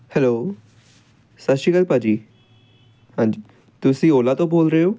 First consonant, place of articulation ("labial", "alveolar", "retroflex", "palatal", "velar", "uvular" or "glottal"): glottal